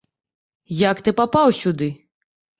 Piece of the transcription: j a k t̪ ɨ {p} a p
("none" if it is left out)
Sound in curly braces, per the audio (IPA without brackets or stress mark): p